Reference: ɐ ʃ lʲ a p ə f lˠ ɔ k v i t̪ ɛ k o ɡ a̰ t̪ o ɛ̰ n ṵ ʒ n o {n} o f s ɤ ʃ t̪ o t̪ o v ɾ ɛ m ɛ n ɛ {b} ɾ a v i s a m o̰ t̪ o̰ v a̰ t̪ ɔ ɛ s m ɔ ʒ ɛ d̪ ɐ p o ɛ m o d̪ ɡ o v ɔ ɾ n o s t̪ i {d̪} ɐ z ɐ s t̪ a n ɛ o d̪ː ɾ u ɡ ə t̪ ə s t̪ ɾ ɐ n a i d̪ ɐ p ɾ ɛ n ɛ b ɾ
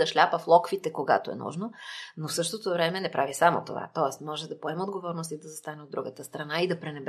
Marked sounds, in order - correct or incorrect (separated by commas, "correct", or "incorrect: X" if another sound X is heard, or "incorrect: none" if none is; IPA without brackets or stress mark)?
correct, incorrect: p, correct